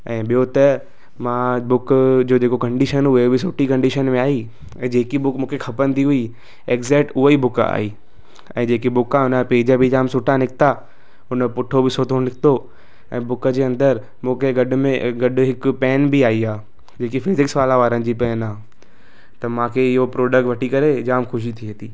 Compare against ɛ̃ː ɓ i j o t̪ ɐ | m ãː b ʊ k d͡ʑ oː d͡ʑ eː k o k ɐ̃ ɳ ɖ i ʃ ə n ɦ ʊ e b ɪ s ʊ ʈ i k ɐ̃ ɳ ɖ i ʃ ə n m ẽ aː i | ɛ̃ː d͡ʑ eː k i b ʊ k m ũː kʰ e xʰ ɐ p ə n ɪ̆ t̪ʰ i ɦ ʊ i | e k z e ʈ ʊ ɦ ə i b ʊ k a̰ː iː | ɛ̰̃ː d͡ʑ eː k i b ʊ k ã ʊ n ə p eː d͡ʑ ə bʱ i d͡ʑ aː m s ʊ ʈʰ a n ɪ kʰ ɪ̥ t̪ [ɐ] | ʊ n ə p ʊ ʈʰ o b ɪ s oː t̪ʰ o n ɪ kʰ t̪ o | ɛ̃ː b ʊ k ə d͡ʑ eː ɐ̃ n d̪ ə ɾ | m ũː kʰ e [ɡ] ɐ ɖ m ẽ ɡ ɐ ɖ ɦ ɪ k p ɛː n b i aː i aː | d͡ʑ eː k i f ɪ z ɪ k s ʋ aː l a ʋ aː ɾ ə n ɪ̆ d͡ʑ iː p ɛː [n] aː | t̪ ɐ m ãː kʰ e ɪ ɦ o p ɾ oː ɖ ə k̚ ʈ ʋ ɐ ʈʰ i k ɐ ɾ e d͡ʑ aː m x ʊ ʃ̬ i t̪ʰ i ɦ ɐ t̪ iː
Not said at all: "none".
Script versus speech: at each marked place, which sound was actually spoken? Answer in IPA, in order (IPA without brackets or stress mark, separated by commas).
a, ɡ, n